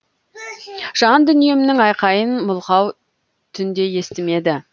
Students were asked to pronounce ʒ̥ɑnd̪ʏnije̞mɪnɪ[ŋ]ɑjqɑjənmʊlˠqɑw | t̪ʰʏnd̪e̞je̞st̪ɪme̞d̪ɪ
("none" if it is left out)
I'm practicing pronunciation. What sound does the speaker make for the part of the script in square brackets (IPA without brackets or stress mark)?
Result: ŋ